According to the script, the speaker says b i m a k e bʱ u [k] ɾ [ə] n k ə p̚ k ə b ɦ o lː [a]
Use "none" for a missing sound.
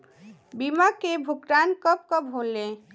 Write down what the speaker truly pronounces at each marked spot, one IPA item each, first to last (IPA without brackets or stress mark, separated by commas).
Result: k, a, e